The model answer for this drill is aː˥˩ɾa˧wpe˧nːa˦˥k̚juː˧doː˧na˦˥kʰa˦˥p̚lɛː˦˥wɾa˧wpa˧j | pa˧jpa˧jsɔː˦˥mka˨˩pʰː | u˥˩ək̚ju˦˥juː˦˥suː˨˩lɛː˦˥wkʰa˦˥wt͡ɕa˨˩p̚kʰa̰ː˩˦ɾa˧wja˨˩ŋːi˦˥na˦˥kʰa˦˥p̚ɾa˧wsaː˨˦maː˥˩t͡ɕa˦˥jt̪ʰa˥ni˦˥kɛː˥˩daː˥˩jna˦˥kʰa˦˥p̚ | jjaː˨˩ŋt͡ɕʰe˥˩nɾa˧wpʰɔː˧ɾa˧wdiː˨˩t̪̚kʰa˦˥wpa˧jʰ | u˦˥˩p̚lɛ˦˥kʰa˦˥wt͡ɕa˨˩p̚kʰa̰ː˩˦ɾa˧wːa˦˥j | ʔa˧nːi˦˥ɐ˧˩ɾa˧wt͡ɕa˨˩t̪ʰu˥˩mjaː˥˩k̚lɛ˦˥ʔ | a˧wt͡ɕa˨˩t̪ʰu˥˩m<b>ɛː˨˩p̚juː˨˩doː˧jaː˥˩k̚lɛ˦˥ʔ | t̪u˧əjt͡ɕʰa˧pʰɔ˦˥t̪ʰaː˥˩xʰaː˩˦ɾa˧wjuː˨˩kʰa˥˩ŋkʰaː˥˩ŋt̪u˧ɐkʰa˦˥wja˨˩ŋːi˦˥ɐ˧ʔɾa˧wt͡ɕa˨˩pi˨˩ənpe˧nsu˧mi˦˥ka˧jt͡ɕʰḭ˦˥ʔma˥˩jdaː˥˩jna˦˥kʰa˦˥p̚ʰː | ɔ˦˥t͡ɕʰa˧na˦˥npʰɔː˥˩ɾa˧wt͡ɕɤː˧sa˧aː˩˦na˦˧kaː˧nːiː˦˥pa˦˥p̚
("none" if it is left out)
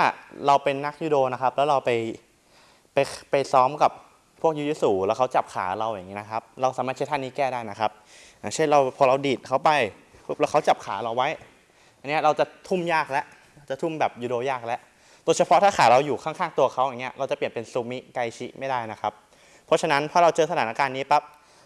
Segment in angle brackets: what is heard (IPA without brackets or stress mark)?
b